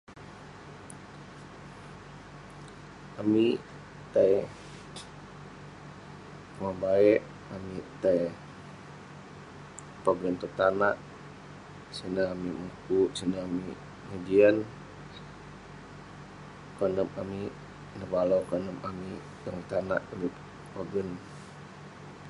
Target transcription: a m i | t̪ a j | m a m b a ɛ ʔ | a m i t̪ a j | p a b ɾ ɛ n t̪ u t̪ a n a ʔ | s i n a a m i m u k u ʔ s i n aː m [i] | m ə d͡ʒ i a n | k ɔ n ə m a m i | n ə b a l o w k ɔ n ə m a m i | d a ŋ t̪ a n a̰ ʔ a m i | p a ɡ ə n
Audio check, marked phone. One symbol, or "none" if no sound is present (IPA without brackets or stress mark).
i